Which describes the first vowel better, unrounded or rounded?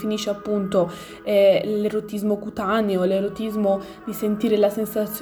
unrounded